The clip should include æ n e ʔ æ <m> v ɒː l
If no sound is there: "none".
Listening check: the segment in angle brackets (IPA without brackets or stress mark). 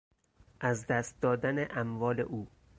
m